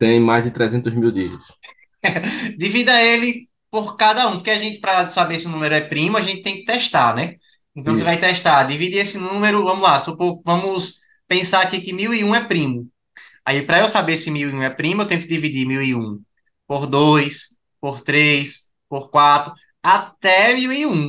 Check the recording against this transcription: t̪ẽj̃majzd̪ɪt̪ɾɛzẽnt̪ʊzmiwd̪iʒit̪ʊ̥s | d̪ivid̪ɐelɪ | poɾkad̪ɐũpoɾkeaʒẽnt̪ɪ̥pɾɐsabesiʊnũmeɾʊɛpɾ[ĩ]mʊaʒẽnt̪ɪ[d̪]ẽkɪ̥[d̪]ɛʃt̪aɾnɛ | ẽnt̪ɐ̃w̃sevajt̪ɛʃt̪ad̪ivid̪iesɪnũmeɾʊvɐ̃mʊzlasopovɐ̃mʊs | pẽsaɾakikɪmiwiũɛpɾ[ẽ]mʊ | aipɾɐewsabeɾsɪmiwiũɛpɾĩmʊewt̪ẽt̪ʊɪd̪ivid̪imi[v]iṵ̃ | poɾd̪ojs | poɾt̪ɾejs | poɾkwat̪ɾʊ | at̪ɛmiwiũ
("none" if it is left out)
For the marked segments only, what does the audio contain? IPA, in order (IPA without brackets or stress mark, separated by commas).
ĩ, t̪, t̪, ĩ, w